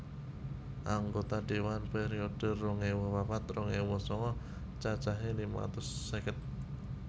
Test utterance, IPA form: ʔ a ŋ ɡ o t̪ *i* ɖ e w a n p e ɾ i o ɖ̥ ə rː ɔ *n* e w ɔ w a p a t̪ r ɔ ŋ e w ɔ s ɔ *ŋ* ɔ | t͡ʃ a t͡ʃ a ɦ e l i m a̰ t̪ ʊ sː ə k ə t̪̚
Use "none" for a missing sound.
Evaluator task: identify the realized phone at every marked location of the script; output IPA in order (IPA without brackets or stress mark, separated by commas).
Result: a, ŋ, ŋ